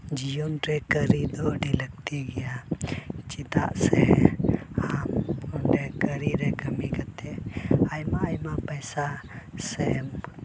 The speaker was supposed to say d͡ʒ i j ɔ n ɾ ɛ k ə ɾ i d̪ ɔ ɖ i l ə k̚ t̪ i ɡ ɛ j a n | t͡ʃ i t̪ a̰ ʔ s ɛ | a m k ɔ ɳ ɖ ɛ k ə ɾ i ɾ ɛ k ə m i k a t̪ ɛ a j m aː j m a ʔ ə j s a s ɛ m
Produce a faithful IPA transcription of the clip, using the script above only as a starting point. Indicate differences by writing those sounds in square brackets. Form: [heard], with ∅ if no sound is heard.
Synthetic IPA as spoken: d͡ʒ i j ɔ n ɾ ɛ k ə ɾ i d̪ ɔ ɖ i l ə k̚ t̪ i ɡ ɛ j a [∅] | t͡ʃ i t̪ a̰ ʔ s ɛ | a m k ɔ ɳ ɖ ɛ k ə ɾ i ɾ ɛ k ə m i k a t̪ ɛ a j m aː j m a [p] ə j s a s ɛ m

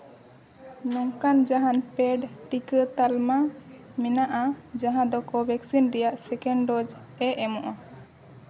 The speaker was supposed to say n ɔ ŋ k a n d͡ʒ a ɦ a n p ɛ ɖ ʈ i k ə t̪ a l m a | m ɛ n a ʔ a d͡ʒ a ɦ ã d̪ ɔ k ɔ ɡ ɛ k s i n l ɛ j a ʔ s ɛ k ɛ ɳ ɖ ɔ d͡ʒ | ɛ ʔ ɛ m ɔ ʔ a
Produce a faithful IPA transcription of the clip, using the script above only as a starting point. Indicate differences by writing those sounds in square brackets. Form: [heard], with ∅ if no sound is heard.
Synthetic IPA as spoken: n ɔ ŋ k a n d͡ʒ a ɦ a n p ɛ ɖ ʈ i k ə t̪ a l m a | m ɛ n a ʔ a d͡ʒ a ɦ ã d̪ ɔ k ɔ [b] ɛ k s i n [ɾ] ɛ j a ʔ s ɛ k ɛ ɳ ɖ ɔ d͡ʒ | ɛ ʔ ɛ m ɔ ʔ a

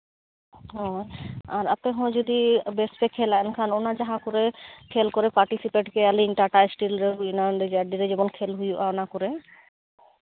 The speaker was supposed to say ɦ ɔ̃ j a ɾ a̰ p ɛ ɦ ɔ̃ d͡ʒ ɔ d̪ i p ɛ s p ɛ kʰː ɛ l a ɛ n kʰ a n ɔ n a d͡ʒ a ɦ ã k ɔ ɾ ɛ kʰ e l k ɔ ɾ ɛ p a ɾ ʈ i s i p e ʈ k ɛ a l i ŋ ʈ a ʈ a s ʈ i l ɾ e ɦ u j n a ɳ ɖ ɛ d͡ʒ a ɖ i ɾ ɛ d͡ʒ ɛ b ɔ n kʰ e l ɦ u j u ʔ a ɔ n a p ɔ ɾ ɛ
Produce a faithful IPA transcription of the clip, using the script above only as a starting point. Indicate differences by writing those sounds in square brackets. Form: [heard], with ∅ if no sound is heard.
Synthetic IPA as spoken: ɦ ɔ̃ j a ɾ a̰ p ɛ ɦ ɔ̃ d͡ʒ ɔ d̪ i [b] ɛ s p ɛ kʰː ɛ l a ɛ n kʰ a n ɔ n a d͡ʒ a ɦ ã k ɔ ɾ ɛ kʰ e l k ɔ ɾ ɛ p a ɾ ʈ i s i p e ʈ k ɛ a l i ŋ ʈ a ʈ a s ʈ i l ɾ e ɦ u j n a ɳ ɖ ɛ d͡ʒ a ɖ i ɾ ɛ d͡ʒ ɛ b ɔ n kʰ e l ɦ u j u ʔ a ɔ n a [k] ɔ ɾ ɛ

